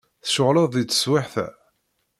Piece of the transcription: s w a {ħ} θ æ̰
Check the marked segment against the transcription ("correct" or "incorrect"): correct